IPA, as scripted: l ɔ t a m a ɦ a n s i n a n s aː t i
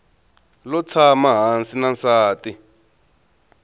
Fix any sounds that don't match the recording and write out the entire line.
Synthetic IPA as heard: l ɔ t͡sʰ a m a ɦ a n s i n a n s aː t i

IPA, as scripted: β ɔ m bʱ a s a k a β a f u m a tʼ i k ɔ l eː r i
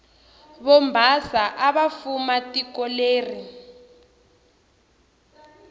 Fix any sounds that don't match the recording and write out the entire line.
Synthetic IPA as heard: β ɔ m bʱ a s a ʔ a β a f u m a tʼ i k ɔ l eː r i

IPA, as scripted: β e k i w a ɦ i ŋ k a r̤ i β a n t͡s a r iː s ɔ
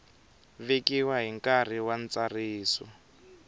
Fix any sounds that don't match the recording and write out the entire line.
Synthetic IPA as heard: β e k i w a ɦ i ŋ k a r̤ i w a n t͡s a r iː s ɔ

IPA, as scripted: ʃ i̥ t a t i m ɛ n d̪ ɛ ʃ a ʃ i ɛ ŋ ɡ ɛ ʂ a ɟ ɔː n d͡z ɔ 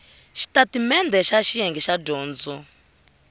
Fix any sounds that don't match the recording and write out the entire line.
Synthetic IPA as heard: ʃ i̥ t a t i m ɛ n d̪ ɛ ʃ a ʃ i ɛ ŋ ɡ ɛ ʃ a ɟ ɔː n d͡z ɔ

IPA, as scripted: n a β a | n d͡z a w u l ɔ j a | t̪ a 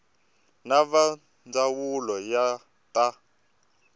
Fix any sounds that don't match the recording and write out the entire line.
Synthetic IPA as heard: n a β a | n d͡z a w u l ɔ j a | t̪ a

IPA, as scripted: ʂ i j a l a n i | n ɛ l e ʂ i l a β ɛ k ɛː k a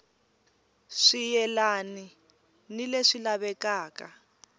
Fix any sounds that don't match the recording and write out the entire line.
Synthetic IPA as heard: ʂ i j ɛ l a n i | n i l e ʂ i l a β ɛ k aː k a

